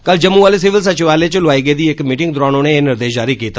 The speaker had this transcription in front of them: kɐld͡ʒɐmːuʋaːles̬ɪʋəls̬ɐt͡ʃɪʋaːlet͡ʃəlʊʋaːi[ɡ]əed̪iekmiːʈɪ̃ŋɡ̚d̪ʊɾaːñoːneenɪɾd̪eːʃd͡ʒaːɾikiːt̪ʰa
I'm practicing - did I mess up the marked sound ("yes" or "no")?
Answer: no